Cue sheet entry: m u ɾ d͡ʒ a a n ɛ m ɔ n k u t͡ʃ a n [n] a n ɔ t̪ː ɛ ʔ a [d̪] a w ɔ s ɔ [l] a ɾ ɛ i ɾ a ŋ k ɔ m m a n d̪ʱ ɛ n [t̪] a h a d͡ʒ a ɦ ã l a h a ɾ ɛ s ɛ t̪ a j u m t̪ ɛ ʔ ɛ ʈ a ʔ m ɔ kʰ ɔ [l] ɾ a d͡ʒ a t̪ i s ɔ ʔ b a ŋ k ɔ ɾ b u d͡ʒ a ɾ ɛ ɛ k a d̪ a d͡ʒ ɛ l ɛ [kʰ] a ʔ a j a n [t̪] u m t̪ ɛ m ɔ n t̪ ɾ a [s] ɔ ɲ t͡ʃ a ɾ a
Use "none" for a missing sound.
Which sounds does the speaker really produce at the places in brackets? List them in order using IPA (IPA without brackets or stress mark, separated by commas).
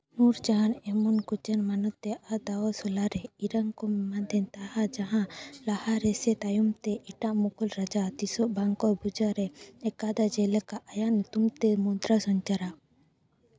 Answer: m, d̪, l, t̪, l, k, t̪, s